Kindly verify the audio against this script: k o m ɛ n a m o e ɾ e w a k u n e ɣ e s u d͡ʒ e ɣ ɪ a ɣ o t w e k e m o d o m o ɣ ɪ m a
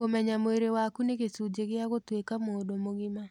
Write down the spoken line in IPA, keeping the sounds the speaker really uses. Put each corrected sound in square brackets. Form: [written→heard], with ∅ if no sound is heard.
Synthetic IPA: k o m ɛ [n→ɲ] a m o e ɾ e w a k u n e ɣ e s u d͡ʒ e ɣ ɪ a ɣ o t w e k [e→a] m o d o m o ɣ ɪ m a